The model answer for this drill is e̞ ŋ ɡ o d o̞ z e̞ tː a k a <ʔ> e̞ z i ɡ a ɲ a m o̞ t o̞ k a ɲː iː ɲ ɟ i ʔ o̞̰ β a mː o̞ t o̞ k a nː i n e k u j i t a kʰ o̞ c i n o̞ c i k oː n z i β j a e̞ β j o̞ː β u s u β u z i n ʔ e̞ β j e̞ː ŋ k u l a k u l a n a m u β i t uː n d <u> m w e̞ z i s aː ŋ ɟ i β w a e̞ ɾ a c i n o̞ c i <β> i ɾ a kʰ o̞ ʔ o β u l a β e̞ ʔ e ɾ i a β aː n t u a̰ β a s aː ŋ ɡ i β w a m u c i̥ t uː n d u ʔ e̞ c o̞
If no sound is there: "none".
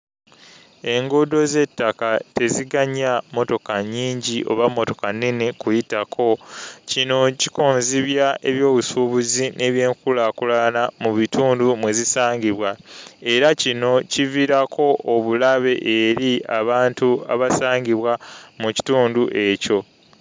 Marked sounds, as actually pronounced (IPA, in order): t, u, v

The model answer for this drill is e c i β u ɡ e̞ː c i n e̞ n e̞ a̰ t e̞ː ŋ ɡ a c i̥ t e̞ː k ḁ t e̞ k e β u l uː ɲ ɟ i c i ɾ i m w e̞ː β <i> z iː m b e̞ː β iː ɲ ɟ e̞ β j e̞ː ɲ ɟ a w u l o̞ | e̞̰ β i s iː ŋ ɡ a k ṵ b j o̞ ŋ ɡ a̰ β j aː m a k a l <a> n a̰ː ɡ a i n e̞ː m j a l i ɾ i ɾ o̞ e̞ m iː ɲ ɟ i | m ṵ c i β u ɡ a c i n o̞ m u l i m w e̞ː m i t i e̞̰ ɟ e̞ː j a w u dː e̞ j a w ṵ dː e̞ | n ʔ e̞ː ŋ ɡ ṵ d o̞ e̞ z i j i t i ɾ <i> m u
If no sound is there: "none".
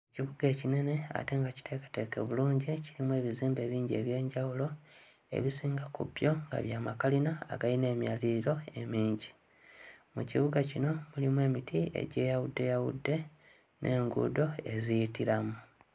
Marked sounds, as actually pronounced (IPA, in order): i, i, a

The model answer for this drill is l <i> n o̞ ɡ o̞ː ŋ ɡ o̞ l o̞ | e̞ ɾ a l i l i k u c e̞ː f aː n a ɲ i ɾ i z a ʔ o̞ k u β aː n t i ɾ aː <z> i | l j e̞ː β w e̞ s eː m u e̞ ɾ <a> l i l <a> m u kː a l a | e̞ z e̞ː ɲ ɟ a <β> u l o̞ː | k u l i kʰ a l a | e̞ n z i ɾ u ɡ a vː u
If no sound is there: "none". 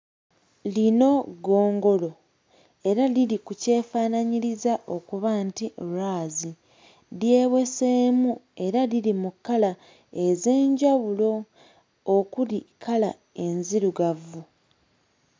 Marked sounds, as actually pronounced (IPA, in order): i, z, a, i, β

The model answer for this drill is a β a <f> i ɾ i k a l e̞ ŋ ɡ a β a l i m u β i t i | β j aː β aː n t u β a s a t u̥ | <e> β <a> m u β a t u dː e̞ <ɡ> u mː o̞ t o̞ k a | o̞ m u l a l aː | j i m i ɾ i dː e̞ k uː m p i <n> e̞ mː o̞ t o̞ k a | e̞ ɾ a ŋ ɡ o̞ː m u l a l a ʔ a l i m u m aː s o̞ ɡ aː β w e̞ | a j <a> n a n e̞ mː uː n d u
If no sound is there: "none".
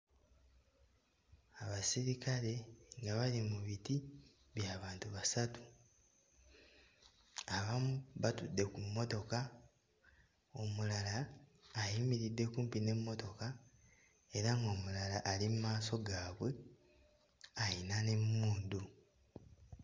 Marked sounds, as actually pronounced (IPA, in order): s, a, a, k, n, i

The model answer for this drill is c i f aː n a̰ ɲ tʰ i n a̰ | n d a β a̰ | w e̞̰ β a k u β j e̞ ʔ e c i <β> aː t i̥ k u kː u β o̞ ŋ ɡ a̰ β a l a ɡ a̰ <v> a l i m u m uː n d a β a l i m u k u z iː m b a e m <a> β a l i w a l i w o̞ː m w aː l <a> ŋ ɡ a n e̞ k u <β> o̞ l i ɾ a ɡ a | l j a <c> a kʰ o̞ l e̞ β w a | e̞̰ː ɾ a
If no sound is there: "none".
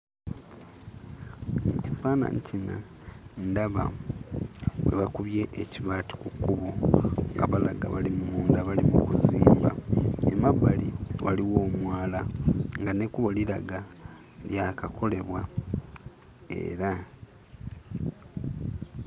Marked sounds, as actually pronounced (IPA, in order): β, β, a, a, β, k

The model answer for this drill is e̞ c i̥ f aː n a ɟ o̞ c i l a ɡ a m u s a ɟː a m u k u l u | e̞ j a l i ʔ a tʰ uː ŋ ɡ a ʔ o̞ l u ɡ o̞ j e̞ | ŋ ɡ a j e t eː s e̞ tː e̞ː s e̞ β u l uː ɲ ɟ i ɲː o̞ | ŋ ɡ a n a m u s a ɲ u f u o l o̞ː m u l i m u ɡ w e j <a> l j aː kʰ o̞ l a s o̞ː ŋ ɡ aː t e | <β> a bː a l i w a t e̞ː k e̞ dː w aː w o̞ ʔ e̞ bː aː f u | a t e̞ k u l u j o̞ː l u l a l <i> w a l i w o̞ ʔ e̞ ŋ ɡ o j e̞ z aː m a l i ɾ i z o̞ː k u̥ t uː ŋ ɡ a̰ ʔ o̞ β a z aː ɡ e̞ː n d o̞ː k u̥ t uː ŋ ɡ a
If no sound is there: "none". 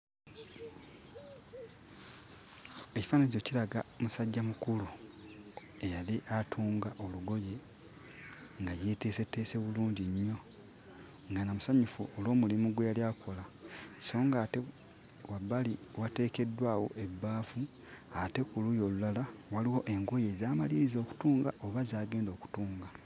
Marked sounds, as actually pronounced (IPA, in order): a, w, a

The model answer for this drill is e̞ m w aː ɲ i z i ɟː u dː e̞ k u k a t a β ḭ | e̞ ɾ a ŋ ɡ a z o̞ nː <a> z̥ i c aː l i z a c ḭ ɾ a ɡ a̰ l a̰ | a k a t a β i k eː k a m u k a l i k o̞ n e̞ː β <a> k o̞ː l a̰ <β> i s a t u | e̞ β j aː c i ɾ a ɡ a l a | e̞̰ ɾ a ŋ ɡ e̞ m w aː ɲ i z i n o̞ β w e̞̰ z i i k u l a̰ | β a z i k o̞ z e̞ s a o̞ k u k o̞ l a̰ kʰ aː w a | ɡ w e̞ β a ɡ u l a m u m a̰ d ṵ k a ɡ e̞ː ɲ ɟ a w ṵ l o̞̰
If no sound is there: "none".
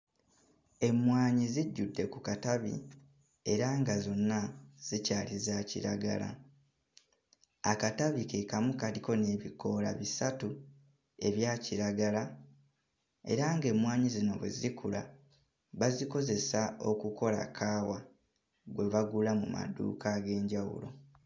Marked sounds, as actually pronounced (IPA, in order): a, i, β

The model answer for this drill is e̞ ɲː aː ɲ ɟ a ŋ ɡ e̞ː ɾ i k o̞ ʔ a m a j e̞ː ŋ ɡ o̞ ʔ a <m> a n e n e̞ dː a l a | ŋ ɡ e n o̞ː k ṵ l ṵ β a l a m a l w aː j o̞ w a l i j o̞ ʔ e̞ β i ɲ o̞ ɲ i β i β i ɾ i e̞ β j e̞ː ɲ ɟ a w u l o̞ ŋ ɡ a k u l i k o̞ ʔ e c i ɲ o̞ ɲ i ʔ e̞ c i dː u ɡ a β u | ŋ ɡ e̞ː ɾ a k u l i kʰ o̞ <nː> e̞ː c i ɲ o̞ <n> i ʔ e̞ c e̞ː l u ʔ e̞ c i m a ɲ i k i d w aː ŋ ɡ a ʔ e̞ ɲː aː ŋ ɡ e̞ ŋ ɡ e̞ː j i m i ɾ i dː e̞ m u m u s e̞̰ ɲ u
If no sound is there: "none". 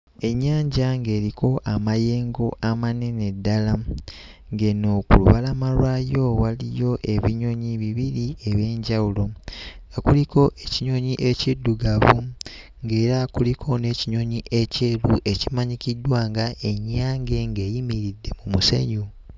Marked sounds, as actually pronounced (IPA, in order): m, n, ɲ

